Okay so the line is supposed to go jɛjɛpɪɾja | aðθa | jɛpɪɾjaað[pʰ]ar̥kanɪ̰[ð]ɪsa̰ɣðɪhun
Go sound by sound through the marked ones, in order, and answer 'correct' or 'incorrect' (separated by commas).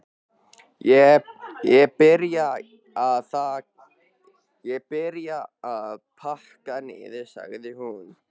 correct, correct